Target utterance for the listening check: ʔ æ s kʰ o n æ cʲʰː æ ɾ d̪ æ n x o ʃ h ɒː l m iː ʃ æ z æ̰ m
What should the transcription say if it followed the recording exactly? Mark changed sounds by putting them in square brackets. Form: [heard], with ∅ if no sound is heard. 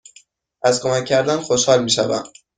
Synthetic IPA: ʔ æ [z] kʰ o [m] æ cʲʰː æ ɾ d̪ æ n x o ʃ h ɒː l m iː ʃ æ [v] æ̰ m